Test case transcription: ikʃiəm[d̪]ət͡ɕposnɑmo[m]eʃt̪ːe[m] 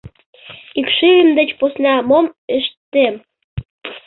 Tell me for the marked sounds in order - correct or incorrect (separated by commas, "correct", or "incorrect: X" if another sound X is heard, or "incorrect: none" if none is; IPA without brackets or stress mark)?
correct, correct, correct